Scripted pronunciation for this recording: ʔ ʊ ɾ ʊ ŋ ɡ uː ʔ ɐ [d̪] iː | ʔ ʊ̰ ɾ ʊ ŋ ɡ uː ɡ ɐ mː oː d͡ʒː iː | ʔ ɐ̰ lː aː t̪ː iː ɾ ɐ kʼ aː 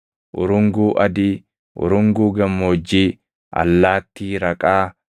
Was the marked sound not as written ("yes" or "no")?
no